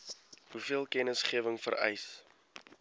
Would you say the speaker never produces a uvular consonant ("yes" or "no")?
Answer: no